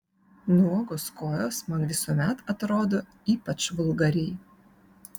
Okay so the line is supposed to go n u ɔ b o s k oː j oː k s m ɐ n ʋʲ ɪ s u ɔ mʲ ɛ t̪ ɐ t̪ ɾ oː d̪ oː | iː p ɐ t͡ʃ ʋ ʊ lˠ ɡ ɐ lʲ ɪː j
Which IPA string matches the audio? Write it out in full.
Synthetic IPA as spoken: n u ɔ ɡ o s k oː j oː s m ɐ n ʋʲ ɪ s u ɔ mʲ ɛ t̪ ɐ t̪ ɾ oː d̪ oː | iː p ɐ t͡ʃ ʋ ʊ lˠ ɡ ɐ ɾʲ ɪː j